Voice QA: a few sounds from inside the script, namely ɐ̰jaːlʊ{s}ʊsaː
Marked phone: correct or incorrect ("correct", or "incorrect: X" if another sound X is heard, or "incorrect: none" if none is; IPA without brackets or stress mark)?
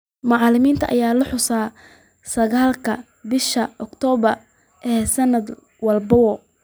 incorrect: ħ